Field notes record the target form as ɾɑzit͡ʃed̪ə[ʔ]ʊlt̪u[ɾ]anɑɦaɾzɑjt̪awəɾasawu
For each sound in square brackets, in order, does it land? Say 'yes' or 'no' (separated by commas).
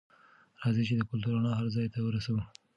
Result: no, yes